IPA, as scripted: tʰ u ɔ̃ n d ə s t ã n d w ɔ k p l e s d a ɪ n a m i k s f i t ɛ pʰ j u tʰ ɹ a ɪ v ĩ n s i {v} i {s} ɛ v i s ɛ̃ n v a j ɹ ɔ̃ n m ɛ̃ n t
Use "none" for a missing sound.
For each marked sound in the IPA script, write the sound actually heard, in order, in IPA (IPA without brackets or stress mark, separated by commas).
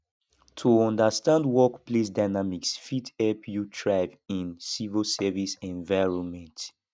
v, s